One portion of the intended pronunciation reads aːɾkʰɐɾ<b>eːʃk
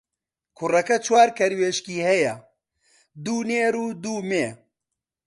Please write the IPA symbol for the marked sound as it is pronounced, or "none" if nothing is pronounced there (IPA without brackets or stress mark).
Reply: w